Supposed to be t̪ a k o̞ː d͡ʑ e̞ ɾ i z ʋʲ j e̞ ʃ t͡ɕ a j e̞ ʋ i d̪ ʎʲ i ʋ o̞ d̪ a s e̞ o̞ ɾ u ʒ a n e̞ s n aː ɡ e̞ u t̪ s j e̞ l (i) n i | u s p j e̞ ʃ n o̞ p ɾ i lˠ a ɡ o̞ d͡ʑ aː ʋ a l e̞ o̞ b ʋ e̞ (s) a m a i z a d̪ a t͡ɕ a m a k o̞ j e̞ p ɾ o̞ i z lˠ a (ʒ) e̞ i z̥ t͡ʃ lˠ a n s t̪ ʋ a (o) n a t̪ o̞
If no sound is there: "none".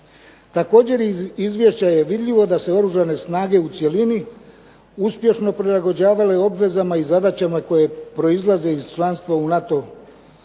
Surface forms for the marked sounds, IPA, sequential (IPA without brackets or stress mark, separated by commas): i, z, z, u